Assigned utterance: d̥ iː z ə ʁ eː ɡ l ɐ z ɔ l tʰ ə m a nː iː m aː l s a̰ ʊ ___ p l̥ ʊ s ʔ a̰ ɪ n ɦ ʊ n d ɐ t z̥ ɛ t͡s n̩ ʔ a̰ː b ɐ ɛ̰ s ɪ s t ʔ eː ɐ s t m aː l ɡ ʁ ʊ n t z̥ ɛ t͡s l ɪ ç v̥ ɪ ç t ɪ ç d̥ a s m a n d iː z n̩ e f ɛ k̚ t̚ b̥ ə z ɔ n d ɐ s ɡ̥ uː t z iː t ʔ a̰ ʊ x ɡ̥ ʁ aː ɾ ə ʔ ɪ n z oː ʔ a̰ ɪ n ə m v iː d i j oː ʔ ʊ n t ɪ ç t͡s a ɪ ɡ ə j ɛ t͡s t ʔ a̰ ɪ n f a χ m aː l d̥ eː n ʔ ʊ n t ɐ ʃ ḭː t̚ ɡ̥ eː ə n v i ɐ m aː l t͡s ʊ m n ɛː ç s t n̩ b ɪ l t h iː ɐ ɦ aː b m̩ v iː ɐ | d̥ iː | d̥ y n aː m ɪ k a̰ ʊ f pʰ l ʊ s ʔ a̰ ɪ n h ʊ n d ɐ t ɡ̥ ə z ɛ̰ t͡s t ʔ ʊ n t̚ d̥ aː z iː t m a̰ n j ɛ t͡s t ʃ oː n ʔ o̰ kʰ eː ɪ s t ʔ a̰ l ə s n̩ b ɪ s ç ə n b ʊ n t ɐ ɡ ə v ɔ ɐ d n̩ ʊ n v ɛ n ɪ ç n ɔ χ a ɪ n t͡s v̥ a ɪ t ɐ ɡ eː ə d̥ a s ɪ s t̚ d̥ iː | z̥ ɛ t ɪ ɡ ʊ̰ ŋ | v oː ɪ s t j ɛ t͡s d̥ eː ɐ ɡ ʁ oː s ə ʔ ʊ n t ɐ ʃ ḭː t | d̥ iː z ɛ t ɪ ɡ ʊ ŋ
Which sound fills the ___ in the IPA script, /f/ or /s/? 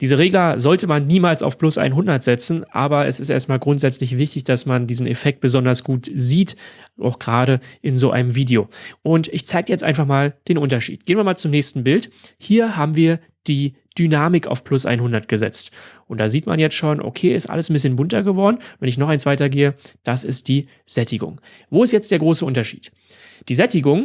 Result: f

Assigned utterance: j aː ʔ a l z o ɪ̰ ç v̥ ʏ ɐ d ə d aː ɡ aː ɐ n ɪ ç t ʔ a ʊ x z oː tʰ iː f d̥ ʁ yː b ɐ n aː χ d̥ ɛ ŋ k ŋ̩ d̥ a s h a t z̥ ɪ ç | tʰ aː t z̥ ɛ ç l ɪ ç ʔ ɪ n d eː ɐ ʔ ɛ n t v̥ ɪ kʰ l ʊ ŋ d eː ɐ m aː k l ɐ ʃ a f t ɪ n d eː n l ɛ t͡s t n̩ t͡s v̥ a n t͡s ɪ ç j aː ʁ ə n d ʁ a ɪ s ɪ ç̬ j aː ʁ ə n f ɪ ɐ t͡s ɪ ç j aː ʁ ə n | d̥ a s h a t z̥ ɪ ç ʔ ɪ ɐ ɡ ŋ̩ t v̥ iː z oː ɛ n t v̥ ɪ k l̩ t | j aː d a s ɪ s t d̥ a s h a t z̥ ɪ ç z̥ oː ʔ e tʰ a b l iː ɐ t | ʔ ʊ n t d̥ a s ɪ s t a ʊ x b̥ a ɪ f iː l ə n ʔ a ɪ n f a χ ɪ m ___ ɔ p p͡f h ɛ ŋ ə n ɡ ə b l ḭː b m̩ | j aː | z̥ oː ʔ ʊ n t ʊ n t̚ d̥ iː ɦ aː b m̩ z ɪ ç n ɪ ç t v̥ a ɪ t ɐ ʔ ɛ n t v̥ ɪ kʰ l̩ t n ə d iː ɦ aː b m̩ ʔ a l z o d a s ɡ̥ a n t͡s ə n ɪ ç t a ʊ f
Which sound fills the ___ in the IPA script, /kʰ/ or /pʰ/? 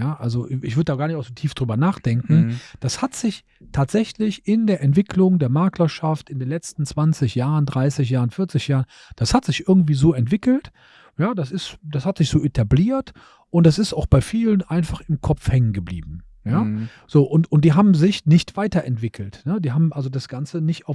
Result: kʰ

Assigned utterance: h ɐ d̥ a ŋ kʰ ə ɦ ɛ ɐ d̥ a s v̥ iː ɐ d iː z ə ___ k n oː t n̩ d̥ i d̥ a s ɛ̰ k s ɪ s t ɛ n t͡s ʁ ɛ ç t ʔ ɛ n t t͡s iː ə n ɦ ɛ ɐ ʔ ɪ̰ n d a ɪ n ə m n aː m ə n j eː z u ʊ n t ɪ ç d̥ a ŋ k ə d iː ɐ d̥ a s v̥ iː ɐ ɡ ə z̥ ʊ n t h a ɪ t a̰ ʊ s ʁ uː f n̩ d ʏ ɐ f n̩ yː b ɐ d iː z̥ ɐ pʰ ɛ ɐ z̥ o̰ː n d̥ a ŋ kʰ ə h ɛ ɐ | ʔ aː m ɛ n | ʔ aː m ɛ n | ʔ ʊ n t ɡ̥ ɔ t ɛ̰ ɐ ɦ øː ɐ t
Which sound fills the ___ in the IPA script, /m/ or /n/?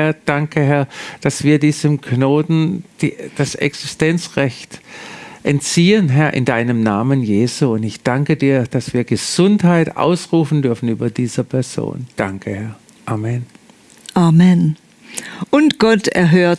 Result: m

